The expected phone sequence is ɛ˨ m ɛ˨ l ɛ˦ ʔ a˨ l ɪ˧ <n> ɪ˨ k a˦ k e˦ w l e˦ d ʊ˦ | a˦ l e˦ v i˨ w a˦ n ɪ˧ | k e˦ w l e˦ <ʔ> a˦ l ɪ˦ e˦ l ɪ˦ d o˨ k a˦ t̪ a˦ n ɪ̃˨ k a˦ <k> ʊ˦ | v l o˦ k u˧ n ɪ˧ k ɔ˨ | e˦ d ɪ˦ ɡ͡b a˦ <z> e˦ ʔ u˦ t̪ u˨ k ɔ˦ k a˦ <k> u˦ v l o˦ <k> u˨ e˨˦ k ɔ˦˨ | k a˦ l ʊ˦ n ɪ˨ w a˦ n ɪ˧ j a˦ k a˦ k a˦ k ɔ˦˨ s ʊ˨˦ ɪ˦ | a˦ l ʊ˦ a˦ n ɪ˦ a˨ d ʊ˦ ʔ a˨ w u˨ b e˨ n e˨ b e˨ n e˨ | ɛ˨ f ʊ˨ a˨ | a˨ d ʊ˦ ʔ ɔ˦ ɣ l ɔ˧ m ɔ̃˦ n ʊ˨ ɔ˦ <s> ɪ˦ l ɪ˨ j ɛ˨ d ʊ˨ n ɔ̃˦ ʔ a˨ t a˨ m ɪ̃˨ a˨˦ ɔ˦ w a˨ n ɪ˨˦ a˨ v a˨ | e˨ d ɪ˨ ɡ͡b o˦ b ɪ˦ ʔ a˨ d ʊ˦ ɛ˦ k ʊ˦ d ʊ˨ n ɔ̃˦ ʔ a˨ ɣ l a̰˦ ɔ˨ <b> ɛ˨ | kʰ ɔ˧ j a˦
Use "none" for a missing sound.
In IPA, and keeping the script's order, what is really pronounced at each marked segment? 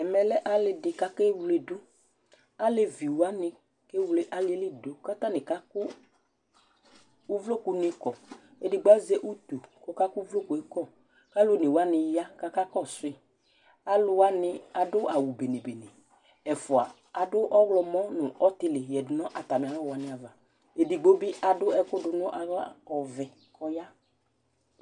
d, ʔ, k, z, k, k, t, v

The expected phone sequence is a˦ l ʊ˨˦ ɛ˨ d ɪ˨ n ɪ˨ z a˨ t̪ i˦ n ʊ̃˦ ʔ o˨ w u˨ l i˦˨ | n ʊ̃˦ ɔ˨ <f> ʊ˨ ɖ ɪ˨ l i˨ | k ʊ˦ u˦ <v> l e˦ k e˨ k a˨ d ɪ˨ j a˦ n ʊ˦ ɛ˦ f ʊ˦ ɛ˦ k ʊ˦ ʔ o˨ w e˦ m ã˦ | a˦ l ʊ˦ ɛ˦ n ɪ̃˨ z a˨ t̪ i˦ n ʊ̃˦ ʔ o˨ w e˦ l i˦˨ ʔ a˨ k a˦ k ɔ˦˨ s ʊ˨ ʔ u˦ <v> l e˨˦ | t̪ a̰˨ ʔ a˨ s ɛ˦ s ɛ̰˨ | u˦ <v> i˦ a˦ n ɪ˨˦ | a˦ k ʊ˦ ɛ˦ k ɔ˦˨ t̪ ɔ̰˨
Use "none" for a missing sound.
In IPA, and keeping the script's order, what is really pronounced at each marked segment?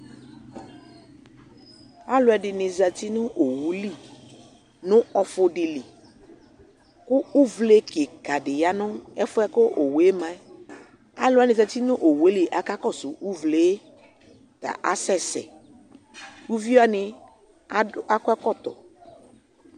f, v, v, v

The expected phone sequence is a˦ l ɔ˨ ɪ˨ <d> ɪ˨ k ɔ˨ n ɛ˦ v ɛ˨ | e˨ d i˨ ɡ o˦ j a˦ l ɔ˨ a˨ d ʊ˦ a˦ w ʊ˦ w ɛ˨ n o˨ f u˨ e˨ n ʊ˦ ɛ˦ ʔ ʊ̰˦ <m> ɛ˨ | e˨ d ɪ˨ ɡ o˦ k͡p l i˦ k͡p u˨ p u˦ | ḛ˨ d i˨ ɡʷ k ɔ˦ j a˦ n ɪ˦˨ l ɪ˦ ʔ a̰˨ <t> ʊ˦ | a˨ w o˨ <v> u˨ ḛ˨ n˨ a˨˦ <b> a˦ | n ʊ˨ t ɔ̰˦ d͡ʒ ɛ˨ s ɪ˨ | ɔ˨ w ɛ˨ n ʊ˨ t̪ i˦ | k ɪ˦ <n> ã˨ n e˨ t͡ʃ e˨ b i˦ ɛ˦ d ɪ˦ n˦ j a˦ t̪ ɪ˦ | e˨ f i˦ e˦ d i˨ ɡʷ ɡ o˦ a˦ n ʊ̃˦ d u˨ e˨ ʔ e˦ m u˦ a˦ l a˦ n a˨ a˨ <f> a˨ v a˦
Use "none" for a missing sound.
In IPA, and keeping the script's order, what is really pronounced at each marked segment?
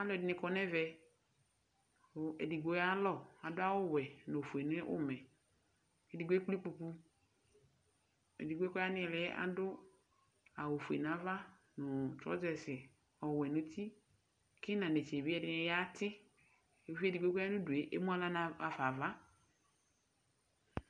n, m, d, f, v, n, f

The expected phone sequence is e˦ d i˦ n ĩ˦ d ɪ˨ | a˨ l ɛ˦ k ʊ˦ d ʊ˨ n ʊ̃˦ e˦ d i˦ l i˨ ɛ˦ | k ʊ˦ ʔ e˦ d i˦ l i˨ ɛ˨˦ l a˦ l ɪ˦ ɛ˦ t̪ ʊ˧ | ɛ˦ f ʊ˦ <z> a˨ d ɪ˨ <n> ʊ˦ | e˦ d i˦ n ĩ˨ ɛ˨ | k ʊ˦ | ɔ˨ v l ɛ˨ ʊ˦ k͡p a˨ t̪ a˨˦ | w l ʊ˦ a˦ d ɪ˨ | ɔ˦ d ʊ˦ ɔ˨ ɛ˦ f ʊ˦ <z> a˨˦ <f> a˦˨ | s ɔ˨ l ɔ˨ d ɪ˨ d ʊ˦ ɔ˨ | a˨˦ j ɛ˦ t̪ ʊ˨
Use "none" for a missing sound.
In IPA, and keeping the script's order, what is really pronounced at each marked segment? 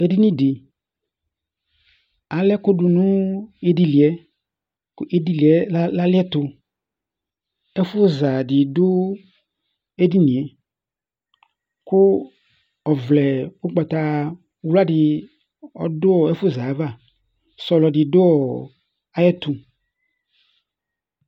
z, d, z, v

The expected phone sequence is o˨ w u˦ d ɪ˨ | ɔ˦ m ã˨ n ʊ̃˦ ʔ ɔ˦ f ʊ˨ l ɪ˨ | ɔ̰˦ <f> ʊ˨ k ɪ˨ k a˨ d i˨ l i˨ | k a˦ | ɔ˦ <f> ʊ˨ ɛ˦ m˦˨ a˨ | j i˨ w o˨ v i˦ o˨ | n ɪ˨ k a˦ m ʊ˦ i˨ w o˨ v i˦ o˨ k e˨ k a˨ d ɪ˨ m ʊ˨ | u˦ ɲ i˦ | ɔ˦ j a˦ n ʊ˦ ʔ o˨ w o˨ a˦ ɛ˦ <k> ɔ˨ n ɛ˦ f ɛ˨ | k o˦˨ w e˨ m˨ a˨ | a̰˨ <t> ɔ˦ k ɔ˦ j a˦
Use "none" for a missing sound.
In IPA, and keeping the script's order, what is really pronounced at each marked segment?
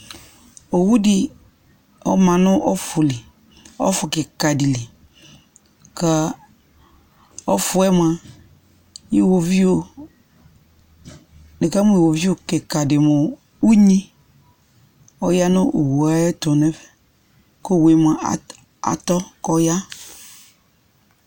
f, f, t, t

